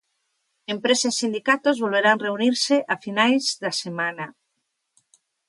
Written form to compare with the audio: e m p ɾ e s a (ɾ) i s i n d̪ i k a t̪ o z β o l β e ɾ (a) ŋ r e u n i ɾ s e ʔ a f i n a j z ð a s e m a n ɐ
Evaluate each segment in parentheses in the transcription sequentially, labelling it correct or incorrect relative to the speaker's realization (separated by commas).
incorrect, correct